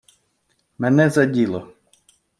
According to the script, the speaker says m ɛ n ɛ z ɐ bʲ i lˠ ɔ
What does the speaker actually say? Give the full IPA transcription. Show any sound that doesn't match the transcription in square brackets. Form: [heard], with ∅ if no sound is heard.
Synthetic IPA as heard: m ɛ n ɛ z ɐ [dʲ] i lˠ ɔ

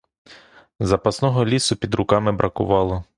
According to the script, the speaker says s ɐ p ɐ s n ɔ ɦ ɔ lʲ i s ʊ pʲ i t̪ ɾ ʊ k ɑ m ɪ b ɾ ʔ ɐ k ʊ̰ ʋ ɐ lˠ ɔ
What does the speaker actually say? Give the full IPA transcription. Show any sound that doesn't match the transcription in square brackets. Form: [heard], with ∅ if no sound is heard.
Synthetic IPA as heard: [z] ɐ p ɐ s n ɔ ɦ ɔ lʲ i s ʊ pʲ i [d̪] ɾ ʊ k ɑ m ɪ b ɾ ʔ ɐ k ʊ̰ ʋ [ɑ] lˠ ɔ

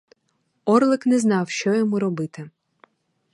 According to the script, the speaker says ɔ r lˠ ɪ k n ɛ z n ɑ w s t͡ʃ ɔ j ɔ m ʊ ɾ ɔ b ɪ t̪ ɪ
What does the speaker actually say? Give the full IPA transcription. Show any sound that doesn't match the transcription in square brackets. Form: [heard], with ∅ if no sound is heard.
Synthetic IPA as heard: ɔ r lˠ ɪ k n ɛ z n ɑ w [ʃ] t͡ʃ ɔ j ɔ m [u] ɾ ɔ b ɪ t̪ ɪ

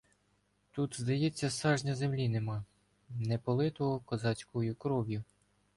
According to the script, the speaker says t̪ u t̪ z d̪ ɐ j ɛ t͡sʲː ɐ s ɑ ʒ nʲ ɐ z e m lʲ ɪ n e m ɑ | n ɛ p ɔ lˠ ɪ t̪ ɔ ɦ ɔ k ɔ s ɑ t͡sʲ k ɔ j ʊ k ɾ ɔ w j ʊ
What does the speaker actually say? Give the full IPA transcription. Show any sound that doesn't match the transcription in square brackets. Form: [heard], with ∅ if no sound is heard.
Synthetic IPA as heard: t̪ u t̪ z d̪ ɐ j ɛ t͡sʲː ɐ s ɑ ʒ nʲ ɐ z e m lʲ [i] n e m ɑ | n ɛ p ɔ lˠ ɪ t̪ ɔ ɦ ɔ k ɔ [z] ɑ t͡sʲ k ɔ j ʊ k ɾ ɔ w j ʊ

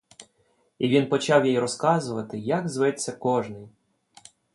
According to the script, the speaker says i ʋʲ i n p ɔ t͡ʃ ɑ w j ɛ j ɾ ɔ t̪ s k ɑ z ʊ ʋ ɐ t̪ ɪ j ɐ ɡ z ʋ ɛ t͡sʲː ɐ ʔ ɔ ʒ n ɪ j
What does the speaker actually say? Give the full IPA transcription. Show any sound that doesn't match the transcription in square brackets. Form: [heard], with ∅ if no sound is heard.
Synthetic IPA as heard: i ʋʲ i n p ɔ t͡ʃ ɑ w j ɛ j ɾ ɔ [∅] s k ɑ z ʊ ʋ ɐ t̪ ɪ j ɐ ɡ z ʋ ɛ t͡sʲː ɐ [k] ɔ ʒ n ɪ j

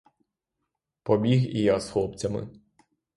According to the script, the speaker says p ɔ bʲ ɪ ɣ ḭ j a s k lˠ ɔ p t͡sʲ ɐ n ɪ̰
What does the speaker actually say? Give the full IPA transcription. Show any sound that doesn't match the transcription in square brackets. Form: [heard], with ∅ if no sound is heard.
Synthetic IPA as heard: p ɔ bʲ [i] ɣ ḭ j a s [x] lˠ ɔ p t͡sʲ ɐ [m] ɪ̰

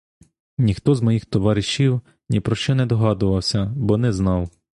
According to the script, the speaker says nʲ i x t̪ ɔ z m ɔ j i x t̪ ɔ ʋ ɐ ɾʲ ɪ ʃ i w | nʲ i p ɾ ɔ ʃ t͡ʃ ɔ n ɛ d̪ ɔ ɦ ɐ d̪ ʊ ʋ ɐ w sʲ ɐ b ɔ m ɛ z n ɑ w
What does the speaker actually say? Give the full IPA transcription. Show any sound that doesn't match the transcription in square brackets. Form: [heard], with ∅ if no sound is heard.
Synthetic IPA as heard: nʲ i x t̪ ɔ z m ɔ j i x t̪ ɔ ʋ [ɑ] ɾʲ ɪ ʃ i w | nʲ i p ɾ ɔ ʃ t͡ʃ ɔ n ɛ d̪ ɔ ɦ [ɑ] d̪ ʊ ʋ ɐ w sʲ ɐ b ɔ [n] ɛ z n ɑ w

